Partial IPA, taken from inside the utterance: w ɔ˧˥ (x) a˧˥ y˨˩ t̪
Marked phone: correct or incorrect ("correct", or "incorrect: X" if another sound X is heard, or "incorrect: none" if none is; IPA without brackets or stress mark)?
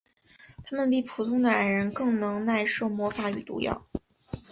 incorrect: f